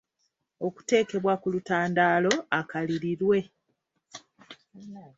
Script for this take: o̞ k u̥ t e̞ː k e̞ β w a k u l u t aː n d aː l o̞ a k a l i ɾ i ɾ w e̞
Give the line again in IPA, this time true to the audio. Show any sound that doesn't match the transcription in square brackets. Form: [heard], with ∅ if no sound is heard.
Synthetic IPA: o̞ k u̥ t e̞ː k e̞ β w a k u l u t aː n d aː l o̞ a k a l i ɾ i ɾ w e̞